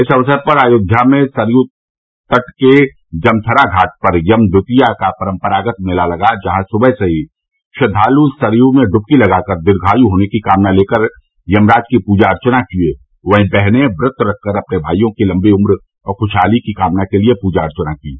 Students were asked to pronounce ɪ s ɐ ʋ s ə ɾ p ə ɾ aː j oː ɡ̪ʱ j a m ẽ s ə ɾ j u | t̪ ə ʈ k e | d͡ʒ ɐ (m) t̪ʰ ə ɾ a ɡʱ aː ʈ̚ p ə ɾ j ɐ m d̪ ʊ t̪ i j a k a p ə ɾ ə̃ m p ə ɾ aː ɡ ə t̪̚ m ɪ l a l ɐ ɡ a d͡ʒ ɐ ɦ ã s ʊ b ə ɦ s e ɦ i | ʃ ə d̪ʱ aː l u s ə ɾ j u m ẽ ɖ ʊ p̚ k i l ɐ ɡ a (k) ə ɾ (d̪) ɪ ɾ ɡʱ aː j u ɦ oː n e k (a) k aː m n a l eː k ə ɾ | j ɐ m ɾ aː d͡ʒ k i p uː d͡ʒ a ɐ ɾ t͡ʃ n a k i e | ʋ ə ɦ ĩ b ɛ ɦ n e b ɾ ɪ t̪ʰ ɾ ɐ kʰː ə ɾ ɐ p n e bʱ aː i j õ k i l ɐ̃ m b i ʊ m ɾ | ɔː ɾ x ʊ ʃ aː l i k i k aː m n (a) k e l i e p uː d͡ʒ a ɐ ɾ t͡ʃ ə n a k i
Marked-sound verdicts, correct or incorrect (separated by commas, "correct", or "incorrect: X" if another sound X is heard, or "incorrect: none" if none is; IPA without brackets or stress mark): correct, correct, correct, incorrect: i, correct